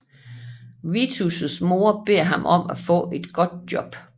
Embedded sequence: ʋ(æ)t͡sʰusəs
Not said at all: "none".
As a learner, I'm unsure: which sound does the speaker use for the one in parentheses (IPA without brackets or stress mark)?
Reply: i